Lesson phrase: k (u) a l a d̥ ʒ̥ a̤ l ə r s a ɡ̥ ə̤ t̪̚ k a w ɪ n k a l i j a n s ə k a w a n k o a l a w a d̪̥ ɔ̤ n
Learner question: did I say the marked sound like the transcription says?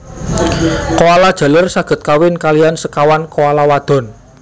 no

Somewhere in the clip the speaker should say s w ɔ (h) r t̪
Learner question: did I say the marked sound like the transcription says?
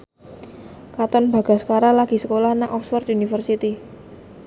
no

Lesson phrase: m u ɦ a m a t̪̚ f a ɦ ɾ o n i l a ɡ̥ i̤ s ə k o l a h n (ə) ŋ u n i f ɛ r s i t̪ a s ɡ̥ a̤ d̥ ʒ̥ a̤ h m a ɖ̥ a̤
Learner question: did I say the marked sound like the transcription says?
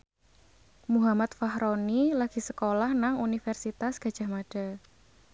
no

